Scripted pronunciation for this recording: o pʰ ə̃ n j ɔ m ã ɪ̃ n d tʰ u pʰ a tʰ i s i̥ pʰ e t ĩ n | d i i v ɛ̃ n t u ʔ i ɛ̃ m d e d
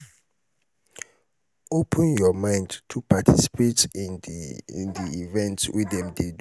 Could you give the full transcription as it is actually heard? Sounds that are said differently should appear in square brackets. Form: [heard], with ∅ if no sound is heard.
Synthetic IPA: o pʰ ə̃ n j ɔ m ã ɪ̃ n d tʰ u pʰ a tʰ i s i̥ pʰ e t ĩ n | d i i v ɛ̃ n t [w] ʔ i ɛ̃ m d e d